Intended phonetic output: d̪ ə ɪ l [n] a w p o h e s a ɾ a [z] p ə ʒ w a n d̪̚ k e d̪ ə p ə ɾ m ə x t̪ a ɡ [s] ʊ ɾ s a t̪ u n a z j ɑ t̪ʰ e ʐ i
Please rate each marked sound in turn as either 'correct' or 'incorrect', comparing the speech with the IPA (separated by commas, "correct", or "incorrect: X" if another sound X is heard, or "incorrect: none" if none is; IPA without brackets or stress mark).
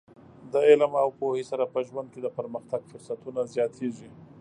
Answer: incorrect: m, incorrect: none, incorrect: f